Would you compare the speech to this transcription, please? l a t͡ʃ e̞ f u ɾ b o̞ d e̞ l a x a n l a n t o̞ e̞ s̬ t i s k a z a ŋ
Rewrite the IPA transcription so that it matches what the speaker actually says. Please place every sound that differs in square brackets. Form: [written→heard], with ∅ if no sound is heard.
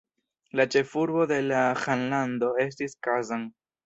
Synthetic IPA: l a t͡ʃ e̞ f u ɾ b o̞ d e̞ l a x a n l a n [t→d] o̞ e̞ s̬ t i s k a z a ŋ